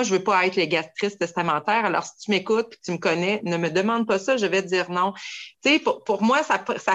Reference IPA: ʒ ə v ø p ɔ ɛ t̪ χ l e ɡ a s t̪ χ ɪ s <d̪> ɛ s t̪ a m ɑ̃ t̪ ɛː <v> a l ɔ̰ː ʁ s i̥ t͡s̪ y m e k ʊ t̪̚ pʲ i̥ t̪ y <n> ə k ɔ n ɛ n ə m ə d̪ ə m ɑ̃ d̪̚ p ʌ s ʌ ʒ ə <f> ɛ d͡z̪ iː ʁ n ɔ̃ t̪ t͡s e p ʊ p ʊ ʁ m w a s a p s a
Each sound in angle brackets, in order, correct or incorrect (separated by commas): incorrect, incorrect, incorrect, incorrect